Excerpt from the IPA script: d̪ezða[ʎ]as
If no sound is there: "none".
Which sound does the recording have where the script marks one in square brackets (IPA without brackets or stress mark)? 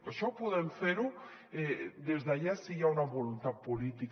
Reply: ʎ